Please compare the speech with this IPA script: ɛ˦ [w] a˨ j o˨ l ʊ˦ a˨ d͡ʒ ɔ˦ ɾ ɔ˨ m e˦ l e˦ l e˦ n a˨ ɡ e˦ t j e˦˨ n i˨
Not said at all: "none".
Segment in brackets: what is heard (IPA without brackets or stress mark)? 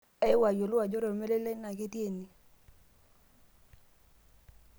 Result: w